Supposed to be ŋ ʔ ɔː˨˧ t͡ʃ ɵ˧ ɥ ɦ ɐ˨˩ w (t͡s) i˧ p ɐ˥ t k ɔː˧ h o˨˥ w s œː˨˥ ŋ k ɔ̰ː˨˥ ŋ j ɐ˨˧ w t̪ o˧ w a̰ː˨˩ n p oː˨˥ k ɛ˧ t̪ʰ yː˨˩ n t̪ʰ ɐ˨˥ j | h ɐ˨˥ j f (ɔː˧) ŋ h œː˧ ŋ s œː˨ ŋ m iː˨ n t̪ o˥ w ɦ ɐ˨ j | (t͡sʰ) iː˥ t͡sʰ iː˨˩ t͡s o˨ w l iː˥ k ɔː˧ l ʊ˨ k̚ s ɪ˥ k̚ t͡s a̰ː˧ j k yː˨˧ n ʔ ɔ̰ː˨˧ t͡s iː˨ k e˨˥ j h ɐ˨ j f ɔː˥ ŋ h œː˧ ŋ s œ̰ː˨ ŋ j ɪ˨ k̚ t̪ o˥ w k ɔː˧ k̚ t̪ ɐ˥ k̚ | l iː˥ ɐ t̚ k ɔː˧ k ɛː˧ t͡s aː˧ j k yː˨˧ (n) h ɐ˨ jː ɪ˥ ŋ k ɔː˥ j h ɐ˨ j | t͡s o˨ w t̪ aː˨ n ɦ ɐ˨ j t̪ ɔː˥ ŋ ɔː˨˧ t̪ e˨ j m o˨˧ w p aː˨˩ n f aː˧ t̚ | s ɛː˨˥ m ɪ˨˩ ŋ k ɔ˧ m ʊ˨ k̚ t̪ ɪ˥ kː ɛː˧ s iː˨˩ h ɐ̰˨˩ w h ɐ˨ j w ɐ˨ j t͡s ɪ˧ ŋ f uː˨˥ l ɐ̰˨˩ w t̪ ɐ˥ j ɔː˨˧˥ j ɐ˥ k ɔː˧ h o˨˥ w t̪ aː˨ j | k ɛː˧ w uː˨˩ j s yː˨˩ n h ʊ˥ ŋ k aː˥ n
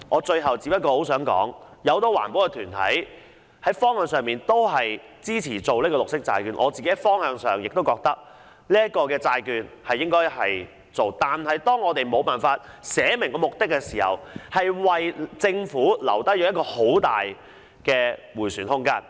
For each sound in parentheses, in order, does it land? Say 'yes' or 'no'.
yes, no, no, yes

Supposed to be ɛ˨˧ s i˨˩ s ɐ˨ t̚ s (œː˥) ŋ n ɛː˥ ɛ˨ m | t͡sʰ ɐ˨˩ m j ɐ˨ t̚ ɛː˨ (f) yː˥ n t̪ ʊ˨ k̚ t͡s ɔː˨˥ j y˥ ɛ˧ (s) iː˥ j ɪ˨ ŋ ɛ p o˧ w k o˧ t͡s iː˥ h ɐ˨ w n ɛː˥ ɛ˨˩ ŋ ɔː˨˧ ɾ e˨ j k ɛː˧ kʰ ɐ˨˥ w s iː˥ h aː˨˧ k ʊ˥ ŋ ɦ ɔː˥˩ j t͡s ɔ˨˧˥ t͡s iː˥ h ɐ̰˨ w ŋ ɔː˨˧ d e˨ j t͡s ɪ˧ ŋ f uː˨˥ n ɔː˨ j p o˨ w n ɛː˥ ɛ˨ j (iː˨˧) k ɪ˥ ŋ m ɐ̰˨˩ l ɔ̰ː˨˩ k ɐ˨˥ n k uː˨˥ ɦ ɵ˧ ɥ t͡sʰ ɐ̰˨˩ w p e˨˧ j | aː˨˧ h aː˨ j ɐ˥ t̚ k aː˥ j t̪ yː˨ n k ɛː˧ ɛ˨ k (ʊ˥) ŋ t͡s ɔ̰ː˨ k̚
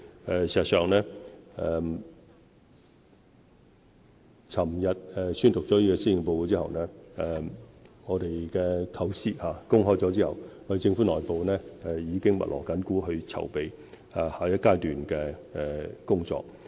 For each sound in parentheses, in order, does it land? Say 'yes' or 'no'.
no, no, yes, yes, yes

